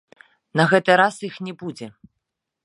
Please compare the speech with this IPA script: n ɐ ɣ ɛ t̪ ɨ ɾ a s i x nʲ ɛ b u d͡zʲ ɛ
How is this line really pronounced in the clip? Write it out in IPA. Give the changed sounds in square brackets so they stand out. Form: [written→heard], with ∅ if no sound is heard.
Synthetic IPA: n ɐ ɣ ɛ t̪ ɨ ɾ a s i x nʲ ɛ b u d͡zʲ ɛ